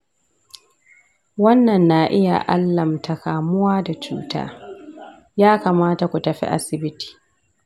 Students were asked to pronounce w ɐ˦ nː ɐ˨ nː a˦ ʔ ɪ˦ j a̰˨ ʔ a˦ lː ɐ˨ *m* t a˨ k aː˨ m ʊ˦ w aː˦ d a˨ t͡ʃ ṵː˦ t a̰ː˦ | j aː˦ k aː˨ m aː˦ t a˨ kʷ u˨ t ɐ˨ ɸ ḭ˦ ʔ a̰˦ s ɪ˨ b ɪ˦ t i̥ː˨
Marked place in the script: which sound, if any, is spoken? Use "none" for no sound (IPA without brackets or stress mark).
m